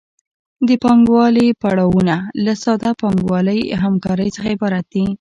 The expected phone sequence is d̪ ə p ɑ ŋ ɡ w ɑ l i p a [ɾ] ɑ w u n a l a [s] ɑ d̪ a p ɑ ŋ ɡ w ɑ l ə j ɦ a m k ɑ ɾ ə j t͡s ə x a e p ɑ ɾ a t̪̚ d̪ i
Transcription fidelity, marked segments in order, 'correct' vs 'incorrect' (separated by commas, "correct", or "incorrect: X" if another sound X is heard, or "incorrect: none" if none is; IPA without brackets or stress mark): incorrect: ɽ, correct